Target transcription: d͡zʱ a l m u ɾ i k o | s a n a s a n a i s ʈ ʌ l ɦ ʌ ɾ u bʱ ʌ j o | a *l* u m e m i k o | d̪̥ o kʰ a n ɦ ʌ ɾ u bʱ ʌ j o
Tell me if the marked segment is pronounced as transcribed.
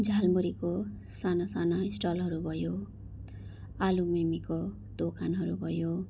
yes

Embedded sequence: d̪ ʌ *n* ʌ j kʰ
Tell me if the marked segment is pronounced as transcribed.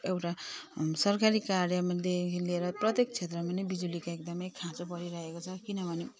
no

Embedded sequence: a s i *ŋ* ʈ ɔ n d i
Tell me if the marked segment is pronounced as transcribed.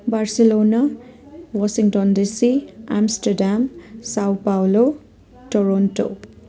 yes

